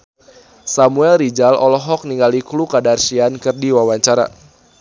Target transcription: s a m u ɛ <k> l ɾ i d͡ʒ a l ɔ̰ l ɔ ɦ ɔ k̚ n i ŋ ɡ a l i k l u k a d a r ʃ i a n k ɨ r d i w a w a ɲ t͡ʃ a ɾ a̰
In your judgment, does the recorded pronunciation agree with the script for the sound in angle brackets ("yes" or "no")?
no